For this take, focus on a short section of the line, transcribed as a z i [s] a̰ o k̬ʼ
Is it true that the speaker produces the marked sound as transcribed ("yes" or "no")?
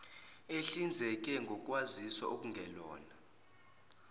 yes